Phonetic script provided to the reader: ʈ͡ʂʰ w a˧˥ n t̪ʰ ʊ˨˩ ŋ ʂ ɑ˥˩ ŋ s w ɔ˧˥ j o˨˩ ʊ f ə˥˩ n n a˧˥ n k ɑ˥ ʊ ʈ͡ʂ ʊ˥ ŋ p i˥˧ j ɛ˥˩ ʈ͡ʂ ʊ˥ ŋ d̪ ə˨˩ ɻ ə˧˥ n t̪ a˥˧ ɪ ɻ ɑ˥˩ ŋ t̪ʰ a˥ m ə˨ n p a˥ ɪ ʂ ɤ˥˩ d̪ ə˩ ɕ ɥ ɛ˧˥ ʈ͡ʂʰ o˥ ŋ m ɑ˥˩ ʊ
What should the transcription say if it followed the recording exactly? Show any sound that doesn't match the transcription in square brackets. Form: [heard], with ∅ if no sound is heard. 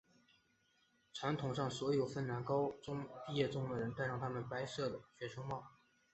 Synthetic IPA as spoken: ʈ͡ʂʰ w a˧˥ n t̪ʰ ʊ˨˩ ŋ ʂ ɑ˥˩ ŋ s w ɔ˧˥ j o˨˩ ʊ f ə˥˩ n n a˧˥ n k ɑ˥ ʊ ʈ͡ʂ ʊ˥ ŋ p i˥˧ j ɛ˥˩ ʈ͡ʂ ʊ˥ ŋ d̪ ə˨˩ ɻ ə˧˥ n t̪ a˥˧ ɪ ɻ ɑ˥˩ ŋ t̪ʰ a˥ m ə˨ n p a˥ ɪ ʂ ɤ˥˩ d̪ ə˩ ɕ ɥ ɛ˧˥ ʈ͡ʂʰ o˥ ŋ m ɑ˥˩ ʊ